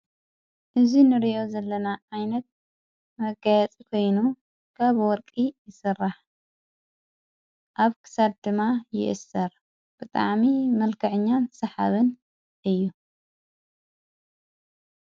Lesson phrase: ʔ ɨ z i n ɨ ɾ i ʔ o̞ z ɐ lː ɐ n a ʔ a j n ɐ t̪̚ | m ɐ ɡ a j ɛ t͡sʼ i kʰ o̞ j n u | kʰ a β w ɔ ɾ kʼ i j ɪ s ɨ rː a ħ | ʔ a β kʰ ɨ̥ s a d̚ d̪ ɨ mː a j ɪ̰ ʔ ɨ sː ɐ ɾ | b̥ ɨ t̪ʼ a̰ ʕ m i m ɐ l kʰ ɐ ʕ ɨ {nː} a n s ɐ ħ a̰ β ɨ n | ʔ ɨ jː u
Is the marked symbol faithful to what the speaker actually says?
no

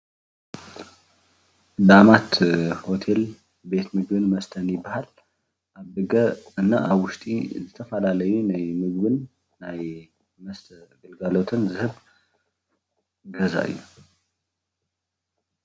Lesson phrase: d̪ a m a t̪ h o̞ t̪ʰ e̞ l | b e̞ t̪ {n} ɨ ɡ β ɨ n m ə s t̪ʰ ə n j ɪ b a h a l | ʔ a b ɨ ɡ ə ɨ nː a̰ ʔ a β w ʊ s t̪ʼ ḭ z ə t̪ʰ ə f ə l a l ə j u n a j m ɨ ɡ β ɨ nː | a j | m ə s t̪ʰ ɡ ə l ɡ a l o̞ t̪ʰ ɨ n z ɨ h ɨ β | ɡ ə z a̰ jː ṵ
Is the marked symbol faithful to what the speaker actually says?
no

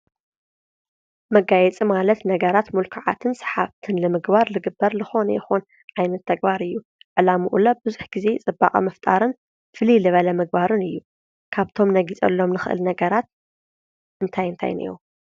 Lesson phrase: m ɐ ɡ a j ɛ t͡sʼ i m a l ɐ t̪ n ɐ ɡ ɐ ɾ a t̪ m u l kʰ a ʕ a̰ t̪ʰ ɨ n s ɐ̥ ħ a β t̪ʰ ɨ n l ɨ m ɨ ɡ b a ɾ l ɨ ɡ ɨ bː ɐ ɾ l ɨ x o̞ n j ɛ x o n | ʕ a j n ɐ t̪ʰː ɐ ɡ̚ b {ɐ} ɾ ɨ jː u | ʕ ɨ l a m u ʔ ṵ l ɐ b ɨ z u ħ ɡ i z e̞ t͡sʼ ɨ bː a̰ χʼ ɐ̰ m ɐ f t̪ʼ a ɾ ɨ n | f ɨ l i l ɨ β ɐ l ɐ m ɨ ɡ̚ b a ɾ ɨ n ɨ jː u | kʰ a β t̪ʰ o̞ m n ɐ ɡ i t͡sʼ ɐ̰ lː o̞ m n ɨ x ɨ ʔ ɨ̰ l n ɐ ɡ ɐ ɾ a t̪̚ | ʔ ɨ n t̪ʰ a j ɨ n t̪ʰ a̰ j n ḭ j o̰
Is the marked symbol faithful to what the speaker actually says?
no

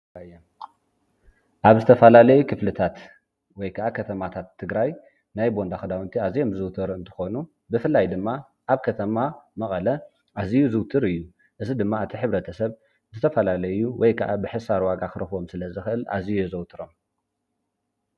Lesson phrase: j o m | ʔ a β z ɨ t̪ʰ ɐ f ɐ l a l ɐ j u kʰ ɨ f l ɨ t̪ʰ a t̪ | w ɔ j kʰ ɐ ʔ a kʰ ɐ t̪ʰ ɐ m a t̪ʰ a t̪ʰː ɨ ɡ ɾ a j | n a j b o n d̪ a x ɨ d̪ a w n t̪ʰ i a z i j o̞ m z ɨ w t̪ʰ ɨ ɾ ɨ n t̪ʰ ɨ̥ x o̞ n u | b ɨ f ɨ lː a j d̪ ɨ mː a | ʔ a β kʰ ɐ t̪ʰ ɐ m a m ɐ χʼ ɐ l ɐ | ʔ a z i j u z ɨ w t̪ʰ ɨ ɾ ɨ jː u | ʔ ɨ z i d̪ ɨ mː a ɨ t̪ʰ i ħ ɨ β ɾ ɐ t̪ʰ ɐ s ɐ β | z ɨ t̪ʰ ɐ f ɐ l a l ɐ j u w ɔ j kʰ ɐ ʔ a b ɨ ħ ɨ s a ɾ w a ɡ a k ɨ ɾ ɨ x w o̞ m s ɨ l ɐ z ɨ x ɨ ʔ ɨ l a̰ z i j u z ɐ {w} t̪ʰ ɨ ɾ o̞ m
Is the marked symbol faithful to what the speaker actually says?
yes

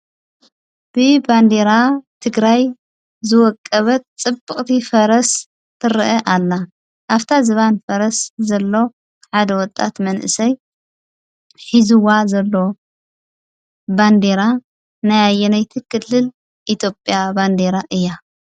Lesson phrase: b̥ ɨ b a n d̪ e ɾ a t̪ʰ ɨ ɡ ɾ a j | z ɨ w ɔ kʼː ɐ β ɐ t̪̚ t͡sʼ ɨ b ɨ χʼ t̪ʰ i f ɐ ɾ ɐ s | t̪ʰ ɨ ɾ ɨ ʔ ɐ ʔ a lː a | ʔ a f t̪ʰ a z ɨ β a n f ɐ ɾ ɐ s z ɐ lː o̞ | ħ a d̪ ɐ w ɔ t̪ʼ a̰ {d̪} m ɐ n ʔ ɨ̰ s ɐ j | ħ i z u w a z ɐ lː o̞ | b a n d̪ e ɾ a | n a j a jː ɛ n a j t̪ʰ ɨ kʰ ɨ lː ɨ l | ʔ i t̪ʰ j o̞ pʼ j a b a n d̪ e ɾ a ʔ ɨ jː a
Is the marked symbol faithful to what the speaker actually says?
no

